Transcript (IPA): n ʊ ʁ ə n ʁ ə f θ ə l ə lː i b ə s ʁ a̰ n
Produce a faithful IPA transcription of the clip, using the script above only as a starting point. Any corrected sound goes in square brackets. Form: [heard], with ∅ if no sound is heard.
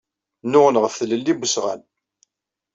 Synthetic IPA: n ʊ ʁ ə n ʁ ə f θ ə l ə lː i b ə s ʁ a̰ n